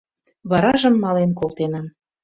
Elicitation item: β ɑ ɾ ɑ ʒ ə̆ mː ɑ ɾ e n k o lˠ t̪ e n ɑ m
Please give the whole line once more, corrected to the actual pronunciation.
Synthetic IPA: β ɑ ɾ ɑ ʒ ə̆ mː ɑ l e n k o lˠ t̪ e n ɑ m